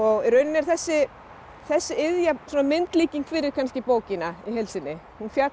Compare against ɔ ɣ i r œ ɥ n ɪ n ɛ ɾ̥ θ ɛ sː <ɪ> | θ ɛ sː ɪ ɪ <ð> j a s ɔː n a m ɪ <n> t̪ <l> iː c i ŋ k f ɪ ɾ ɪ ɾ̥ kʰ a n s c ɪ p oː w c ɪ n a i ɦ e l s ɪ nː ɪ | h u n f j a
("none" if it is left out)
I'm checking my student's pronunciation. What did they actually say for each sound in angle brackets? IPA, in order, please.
ɪ, ð, n, l

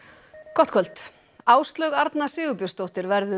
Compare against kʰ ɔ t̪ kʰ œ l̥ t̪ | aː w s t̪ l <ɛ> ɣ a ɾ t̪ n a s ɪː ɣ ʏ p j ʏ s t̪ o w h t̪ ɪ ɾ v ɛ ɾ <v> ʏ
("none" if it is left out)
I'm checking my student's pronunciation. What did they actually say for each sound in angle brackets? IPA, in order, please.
œ, ð

